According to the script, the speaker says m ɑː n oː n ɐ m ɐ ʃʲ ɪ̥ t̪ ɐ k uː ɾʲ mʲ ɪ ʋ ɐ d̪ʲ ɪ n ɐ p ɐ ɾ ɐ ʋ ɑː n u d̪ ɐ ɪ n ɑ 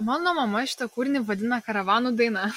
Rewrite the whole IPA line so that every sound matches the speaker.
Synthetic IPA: m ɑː n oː m ɐ m ɐ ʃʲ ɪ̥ t̪ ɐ k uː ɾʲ nʲ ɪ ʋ ɐ d̪ʲ ɪ n ɐ k ɐ ɾ ɐ ʋ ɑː n u d̪ ɐ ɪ n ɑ